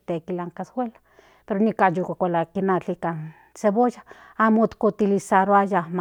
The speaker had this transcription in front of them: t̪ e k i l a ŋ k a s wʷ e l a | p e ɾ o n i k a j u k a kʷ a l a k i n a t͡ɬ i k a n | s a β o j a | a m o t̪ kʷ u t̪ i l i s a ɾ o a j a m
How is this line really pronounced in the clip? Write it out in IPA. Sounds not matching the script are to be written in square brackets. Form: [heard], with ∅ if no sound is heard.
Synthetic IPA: t̪ e k i l a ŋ k a s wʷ e l a | p e ɾ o n i k a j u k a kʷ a l a k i n a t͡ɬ i k a n | s [e] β o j a | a m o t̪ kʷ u t̪ i l i s a ɾ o a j a m